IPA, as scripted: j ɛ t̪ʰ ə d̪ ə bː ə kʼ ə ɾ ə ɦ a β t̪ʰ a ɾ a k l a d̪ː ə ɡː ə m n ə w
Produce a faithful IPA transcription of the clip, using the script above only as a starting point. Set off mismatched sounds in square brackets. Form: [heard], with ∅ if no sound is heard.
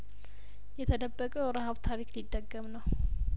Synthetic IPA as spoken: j ɛ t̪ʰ ə d̪ ə bː ə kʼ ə ɾ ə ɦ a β t̪ʰ a ɾ [i] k l [i] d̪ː ə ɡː ə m n ə w

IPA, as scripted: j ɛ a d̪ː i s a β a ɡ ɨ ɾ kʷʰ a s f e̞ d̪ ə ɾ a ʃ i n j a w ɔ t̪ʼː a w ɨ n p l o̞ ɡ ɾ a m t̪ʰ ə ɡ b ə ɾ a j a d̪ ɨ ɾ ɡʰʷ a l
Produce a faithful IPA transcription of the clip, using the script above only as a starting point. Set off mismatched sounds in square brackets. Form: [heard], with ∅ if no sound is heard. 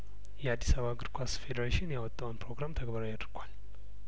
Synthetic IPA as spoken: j ɛ a d̪ː i s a β a ɡ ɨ ɾ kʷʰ a s f e̞ d̪ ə ɾ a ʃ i n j a w ɔ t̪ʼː a w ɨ n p [ɾ] o̞ ɡ ɾ a m t̪ʰ ə ɡ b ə ɾ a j a d̪ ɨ ɾ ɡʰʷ a l

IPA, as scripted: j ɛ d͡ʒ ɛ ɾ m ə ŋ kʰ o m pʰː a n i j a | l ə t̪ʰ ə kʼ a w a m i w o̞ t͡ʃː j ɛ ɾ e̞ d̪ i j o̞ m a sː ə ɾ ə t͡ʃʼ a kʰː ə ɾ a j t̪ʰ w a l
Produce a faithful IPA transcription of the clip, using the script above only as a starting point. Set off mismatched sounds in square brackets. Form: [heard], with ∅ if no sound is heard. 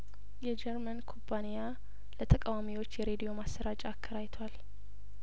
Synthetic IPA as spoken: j ɛ d͡ʒ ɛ ɾ m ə [n] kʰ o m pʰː a n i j a | l ə t̪ʰ ə kʼ a w a m i w o̞ t͡ʃː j ɛ ɾ e̞ d̪ i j o̞ m a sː ə ɾ [a] t͡ʃʼ a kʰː ə ɾ a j t̪ʰ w a l

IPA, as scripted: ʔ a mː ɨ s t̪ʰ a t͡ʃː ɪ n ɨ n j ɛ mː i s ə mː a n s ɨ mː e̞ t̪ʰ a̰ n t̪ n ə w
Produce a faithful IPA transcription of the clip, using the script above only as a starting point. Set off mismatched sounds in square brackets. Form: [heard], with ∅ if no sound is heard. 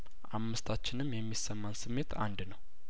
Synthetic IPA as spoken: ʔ a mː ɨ s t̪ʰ a t͡ʃː ɪ n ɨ [m] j ɛ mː i s ə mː a n s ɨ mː e̞ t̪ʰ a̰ n [d̪] n ə w

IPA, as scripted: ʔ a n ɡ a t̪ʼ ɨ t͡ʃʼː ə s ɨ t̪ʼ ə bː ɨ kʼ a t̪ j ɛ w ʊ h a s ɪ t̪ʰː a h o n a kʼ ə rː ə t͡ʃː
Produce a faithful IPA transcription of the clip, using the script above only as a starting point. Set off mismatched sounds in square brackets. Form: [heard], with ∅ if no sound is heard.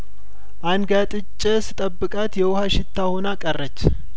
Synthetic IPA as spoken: ʔ a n ɡ a t̪ʼ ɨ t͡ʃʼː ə s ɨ t̪ʼ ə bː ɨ kʼ a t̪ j ɛ w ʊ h a [ʃ] ɪ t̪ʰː a h o n a kʼ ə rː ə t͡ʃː

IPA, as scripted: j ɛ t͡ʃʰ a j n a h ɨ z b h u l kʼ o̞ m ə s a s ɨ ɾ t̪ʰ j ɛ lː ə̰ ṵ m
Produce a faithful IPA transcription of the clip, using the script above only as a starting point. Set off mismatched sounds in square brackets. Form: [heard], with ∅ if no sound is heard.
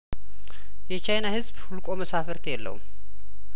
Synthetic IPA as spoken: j ɛ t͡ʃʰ a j n a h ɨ z b h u l kʼ o̞ m ə s a [f] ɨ ɾ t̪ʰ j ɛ lː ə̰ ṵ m

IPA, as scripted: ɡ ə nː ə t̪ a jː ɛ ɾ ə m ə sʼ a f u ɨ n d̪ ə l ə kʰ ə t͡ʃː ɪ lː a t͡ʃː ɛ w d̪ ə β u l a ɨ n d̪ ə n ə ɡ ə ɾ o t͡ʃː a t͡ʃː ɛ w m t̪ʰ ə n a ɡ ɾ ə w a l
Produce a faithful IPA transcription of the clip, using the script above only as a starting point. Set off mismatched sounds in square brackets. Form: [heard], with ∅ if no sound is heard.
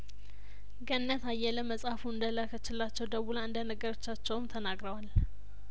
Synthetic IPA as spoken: ɡ ə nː ə t̪ a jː ɛ [l] ə m ə sʼ a f u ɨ n d̪ ə l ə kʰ ə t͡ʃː ɪ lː a t͡ʃː ɛ w d̪ ə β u l a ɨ n d̪ ə n ə ɡ ə ɾ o t͡ʃː a t͡ʃː ɛ w m t̪ʰ ə n a ɡ ɾ ə w a l

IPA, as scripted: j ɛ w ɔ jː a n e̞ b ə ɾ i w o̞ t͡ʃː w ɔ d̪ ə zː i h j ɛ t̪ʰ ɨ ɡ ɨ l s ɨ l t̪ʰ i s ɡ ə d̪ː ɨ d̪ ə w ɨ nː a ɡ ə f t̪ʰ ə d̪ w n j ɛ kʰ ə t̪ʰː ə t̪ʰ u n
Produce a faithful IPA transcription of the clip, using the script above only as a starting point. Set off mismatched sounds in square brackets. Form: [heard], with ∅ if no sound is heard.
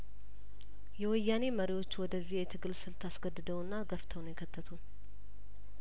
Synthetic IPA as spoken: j ɛ w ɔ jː a n e̞ [m] ə ɾ i w o̞ t͡ʃː w ɔ d̪ ə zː i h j ɛ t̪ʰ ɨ ɡ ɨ l s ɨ l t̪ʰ [a] s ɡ ə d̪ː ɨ d̪ ə w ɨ nː a ɡ ə f t̪ʰ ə [∅] w n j ɛ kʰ ə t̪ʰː ə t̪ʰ u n

